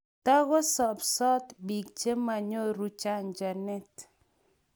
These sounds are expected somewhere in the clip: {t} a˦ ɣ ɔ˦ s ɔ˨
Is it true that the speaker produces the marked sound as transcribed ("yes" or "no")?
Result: yes